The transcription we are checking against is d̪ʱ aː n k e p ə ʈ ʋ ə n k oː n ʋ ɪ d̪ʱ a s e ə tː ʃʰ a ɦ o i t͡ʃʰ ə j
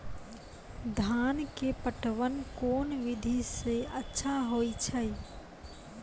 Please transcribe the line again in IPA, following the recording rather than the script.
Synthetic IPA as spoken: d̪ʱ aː n k e p ə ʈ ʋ ə n k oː n ʋ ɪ d̪ʱ i s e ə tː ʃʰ a ɦ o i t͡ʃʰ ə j